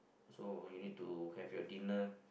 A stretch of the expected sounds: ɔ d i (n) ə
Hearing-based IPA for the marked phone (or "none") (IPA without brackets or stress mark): n